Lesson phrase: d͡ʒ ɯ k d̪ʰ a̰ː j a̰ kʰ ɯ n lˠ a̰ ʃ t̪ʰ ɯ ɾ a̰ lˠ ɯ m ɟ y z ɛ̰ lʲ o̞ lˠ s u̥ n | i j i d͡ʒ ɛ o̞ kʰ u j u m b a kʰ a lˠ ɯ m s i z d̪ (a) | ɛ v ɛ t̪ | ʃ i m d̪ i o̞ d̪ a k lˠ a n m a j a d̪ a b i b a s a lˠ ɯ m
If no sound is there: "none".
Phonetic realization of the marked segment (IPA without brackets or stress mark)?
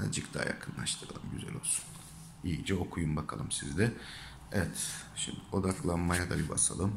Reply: ɛ